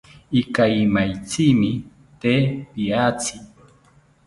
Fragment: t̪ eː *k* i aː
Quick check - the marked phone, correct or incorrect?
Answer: incorrect